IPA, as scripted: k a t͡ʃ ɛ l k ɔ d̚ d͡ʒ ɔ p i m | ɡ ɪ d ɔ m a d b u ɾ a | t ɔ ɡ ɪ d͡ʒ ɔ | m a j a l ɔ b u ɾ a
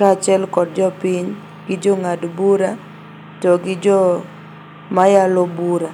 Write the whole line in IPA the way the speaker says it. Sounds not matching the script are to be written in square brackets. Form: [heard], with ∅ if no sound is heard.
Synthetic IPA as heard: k a t͡ʃ ɛ l k ɔ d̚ d͡ʒ ɔ p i [ɲ] | ɡ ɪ [d͡ʒ] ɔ [ŋ] a d b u ɾ a | t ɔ ɡ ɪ d͡ʒ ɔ | m a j a l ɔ b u ɾ a